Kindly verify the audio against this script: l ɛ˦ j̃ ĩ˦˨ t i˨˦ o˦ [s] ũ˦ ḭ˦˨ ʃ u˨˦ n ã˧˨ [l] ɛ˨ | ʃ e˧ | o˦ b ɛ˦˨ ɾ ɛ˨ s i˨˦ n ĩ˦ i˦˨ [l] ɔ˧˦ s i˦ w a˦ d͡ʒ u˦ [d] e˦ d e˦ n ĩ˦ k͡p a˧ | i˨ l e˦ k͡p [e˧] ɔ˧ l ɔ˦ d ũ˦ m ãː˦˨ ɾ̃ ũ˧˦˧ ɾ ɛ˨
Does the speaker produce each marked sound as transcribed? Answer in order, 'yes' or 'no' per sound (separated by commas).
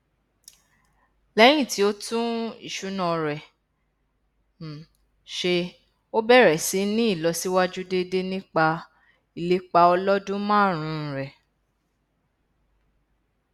no, no, yes, yes, no